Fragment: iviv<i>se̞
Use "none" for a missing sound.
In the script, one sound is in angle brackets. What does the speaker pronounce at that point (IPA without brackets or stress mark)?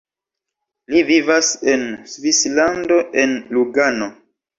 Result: a